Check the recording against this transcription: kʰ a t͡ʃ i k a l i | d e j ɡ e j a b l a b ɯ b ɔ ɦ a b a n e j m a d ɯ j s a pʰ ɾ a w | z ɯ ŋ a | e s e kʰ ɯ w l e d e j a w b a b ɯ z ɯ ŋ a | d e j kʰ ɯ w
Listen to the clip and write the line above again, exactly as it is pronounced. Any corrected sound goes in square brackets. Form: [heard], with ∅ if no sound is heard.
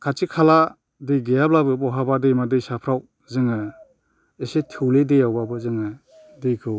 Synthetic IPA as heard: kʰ a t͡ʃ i [kʰ] a l [a] | d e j ɡ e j a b l a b ɯ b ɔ ɦ a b a [d] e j m a d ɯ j s a pʰ ɾ a w | z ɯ ŋ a | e s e [tʰ] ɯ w l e d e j a w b a b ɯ z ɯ ŋ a | d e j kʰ ɯ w

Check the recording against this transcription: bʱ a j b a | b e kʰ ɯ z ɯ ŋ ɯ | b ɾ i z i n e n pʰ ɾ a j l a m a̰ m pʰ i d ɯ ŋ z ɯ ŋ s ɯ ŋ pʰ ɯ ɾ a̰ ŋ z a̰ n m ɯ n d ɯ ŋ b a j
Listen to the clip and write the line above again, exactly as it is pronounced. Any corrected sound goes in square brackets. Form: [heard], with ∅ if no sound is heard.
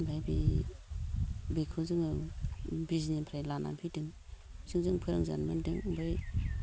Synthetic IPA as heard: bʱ a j b [i] | b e kʰ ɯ z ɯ ŋ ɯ | b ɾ i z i n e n pʰ ɾ a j l a [n] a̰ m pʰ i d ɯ ŋ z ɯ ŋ [z] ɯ ŋ pʰ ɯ ɾ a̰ ŋ z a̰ n m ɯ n d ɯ ŋ b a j

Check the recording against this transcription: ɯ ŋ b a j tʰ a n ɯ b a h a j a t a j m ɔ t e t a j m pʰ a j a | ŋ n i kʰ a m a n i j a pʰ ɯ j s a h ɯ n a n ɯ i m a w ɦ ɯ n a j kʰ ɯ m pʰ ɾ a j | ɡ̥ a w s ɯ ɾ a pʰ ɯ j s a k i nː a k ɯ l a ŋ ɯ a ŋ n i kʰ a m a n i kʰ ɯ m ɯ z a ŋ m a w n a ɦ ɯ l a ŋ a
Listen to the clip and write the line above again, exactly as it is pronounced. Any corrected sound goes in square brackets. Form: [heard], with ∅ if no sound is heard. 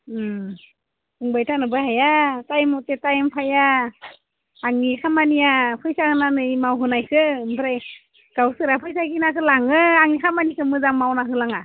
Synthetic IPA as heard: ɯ ŋ b a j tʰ a n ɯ b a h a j a t a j m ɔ t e t a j m pʰ a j a | ŋ n i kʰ a m a n i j a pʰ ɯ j s a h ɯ n a n ɯ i m a w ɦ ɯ n a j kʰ ɯ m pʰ ɾ a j | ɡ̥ a w s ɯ ɾ a pʰ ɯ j s a k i [n] a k ɯ l a ŋ ɯ a ŋ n i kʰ a m a n i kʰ ɯ m ɯ z a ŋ m a w n a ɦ ɯ l a ŋ a

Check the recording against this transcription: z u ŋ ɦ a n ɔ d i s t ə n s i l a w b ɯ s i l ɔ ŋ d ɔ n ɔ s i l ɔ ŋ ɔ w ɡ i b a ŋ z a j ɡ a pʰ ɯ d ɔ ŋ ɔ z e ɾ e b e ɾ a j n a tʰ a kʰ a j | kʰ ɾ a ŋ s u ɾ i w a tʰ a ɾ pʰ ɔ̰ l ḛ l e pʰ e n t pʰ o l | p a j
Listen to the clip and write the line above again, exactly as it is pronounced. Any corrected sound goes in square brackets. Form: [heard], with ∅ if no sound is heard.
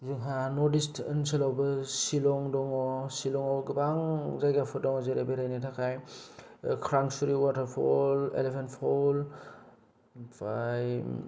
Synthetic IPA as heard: z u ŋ ɦ a n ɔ d i s t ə n s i l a w b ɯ s i l ɔ ŋ d ɔ [ŋ] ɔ s i l ɔ ŋ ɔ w ɡ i b a ŋ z a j ɡ a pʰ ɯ d ɔ ŋ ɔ z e ɾ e b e ɾ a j n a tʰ a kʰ a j | kʰ ɾ a ŋ s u ɾ i w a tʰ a ɾ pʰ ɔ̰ l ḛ l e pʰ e n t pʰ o l | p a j

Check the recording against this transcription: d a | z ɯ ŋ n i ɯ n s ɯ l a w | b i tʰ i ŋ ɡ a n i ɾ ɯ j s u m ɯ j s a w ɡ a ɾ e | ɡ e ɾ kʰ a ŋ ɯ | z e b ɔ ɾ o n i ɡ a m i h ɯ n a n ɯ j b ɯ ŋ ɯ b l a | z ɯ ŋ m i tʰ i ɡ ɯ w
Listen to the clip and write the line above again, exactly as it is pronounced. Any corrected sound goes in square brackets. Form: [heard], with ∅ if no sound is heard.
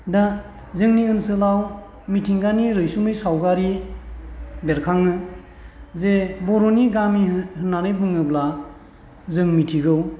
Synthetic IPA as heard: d a | z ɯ ŋ n i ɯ n s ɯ l a w | [m] i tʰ i ŋ ɡ a n i ɾ ɯ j s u m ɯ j s a w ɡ a ɾ [i] | [b] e ɾ kʰ a ŋ ɯ | z e b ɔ ɾ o n i ɡ a m i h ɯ n a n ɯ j b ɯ ŋ ɯ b l a | z ɯ ŋ m i tʰ i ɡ ɯ w

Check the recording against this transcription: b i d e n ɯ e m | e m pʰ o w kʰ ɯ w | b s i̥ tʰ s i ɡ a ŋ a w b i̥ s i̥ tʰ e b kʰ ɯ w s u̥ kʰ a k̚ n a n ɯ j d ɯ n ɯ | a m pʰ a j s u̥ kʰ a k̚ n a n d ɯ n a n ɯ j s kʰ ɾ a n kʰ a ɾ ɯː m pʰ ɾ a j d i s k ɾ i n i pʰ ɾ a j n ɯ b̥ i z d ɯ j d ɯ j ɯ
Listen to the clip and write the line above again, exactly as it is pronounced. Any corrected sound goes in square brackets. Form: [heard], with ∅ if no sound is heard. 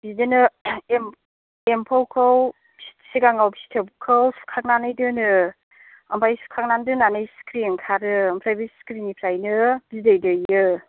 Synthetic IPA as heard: b i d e n ɯ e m | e m pʰ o w kʰ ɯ w | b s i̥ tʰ s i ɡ a ŋ a w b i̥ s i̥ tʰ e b kʰ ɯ w s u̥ kʰ a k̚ n a n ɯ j d ɯ n ɯ | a m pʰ a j s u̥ kʰ a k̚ n a n d ɯ n a n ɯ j s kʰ ɾ [i] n kʰ a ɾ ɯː m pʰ ɾ a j [b] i s k ɾ i n i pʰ ɾ a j n ɯ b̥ i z d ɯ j d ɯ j ɯ

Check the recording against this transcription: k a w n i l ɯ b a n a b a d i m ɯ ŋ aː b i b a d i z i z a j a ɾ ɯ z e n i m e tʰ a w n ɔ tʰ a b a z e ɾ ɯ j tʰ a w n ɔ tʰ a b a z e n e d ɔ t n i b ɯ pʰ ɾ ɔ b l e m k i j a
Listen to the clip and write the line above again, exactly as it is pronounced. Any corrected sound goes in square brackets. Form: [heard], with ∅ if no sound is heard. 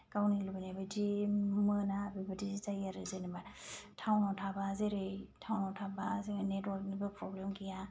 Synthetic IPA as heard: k a w n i l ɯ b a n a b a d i m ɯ [n] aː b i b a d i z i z a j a ɾ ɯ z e n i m [a] tʰ a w n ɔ tʰ a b a z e ɾ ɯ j tʰ a w n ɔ tʰ a b a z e n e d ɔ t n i b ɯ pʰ ɾ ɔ b l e m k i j a

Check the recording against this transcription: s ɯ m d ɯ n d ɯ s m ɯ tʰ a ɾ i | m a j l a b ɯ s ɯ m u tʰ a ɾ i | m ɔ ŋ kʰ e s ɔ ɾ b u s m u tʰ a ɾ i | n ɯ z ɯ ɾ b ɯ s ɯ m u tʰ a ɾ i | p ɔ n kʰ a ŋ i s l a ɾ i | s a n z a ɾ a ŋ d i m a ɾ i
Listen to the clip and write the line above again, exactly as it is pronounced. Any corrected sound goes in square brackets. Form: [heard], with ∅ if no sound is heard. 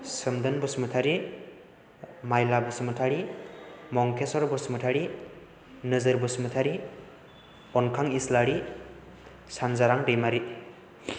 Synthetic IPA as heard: s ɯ m d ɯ n [b] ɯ s m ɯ tʰ a ɾ i | m a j l a b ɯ s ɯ m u tʰ a ɾ i | m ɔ ŋ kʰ e s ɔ ɾ b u s m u tʰ a ɾ i | n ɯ z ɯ ɾ b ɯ s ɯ m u tʰ a ɾ i | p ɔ n kʰ a ŋ i s l a ɾ i | s a n z a ɾ a ŋ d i m a ɾ i

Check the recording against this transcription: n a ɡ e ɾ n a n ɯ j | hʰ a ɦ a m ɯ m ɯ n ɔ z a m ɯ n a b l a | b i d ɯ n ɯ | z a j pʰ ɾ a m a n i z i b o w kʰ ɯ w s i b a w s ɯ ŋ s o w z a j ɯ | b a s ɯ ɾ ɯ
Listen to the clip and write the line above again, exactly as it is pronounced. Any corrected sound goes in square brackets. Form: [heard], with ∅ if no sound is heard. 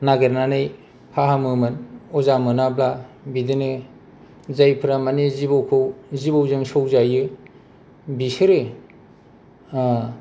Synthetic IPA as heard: n a ɡ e ɾ n a n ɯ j | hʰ a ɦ a m ɯ m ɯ n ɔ z a m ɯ n a b l a | b i d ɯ n ɯ | z a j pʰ ɾ a m a n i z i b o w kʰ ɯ w [z] i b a w [z] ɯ ŋ s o w z a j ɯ | b [i] s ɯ ɾ ɯ

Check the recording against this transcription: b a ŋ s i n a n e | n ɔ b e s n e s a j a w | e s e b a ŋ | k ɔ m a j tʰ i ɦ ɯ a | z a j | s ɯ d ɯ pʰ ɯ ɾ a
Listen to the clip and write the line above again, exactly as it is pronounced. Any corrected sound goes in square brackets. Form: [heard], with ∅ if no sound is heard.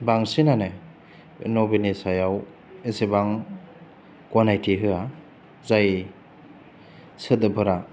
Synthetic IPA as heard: b a ŋ s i n a n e | n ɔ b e [∅] n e s a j a w | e s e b a ŋ | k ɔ [n] a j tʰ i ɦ ɯ a | z a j | s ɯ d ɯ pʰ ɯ ɾ a

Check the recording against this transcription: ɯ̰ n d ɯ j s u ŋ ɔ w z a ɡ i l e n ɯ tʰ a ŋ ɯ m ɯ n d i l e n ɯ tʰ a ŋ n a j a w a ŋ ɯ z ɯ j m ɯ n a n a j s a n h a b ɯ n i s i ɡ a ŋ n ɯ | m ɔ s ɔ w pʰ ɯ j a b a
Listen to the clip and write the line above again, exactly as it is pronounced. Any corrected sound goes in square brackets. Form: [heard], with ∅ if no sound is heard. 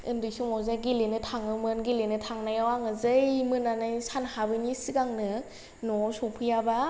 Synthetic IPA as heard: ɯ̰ n d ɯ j s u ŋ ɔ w z a ɡ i l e n ɯ tʰ a ŋ ɯ m ɯ n [ɡ] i l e n ɯ tʰ a ŋ n a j a w a ŋ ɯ z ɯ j m ɯ n a n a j s a n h a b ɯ n i s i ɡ a ŋ n ɯ | [n] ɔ s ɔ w pʰ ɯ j a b a

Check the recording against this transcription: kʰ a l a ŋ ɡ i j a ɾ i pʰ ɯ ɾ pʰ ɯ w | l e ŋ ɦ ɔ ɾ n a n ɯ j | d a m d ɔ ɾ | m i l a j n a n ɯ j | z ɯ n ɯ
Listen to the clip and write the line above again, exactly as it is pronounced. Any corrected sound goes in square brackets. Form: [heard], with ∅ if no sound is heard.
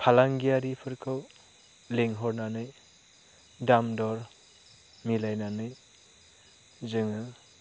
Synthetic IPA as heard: [pʰ] a l a ŋ ɡ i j a ɾ i pʰ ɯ ɾ [kʰ] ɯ w | l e ŋ ɦ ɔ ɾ n a n ɯ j | d a m d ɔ ɾ | m i l a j n a n ɯ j | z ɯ [ŋ] ɯ

